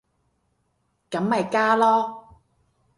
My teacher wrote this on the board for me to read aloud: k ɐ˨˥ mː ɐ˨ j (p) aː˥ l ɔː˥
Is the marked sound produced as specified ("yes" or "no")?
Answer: no